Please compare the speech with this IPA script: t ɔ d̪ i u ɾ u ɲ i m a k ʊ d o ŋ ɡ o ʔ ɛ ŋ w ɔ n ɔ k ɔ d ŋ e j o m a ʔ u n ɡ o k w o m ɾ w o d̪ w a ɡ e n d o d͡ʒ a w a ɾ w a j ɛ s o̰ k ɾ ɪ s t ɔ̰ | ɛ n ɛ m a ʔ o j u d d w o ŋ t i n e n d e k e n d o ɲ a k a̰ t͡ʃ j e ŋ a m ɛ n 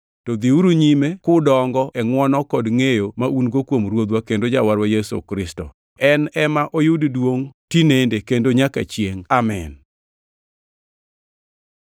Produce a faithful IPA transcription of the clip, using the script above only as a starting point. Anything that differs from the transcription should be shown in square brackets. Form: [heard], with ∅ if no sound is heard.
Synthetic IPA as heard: t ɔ d̪ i u ɾ u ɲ i m [e] k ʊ d [ɔ] ŋ ɡ [ɔ] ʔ ɛ ŋ w ɔ n ɔ k ɔ d ŋ e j o m a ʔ u n ɡ o k w o m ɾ w o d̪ w a [k] e n d o d͡ʒ a w a ɾ w a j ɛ s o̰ k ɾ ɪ s t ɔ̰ | ɛ n ɛ m a ʔ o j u d d w o ŋ t i n e n d e k e n d o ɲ a k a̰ t͡ʃ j e ŋ a m ɛ n